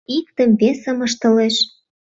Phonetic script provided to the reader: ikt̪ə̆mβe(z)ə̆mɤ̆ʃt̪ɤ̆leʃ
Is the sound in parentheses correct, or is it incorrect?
incorrect